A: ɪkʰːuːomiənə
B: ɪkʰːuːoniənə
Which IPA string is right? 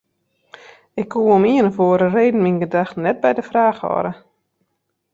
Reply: A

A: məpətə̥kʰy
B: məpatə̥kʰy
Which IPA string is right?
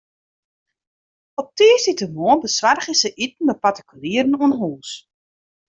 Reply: B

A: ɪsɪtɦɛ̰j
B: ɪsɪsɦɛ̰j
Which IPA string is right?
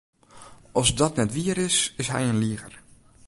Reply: B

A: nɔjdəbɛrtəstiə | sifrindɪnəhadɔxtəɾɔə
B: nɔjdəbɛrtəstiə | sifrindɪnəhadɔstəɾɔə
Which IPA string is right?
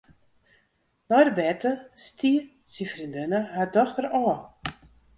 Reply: A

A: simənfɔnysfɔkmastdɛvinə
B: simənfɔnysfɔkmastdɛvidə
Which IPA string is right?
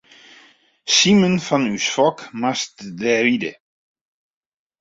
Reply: B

